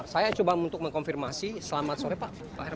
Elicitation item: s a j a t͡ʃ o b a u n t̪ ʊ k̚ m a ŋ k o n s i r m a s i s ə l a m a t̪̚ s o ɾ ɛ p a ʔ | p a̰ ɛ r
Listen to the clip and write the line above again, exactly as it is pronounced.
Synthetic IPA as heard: s a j a t͡ʃ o b a u n t̪ ʊ k̚ m ə ŋ k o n f i r m a s i s ə l a m a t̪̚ s o ɾ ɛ p a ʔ | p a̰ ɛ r